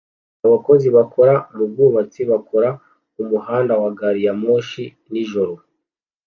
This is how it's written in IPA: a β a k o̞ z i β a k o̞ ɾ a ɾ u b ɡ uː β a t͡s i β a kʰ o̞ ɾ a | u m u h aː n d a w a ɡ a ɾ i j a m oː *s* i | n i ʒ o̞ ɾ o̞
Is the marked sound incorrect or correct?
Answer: incorrect